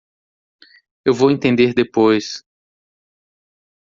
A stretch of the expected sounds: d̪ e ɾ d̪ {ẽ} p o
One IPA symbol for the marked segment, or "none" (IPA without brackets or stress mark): e